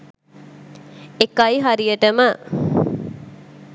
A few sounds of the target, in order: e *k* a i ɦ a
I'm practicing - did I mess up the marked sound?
no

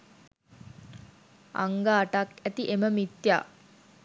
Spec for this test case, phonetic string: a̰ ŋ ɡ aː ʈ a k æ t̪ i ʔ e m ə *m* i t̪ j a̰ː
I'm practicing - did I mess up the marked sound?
no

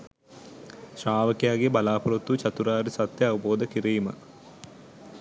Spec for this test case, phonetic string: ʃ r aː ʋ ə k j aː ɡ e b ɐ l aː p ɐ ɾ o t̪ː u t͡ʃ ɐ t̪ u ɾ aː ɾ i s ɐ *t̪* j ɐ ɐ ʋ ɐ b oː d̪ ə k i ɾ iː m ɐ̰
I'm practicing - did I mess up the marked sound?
no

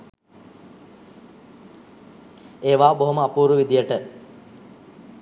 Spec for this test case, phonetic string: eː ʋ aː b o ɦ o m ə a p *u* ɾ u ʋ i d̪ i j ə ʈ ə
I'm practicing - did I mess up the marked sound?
yes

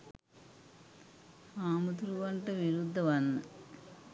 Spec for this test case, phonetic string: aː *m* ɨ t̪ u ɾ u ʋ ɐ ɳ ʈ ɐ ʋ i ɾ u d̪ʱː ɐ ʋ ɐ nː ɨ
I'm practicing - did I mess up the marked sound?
no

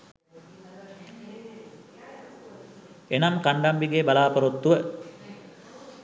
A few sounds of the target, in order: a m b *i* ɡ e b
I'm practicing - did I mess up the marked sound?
no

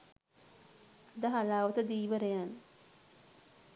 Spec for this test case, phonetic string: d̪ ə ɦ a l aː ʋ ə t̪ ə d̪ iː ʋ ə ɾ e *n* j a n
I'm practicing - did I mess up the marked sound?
yes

